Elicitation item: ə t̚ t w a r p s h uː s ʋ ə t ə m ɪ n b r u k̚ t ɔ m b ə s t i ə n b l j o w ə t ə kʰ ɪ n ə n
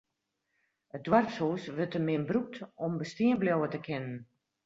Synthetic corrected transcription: ə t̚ d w a r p s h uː s ʋ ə t ə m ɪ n b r u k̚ t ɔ m b ə s t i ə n b l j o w ə t ə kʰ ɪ n ə n